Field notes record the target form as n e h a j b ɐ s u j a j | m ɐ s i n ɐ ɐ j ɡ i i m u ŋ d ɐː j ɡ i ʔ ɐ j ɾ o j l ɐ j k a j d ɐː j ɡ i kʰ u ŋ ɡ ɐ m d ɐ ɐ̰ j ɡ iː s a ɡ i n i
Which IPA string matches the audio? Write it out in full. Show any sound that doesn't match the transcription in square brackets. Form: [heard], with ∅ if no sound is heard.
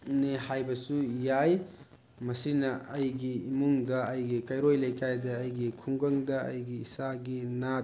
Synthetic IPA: n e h a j b ɐ s u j a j | m ɐ s i n ɐ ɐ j ɡ i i m u ŋ d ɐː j ɡ i [k] ɐ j ɾ o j l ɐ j k a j d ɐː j ɡ i kʰ u ŋ ɡ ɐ [ŋ] d ɐ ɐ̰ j ɡ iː s a ɡ i n [a]